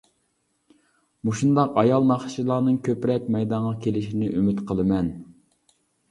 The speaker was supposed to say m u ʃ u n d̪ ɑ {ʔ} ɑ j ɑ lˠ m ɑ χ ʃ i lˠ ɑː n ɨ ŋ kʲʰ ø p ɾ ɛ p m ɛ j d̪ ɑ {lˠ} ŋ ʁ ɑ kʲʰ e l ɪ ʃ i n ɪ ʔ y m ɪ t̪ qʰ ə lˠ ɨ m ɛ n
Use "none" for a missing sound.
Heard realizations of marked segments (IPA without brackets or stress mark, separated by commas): q, none